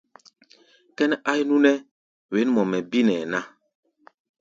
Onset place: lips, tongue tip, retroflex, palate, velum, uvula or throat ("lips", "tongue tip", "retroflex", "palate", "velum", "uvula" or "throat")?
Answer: velum